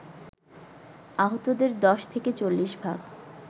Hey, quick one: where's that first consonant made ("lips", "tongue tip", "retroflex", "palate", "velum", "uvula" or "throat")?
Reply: throat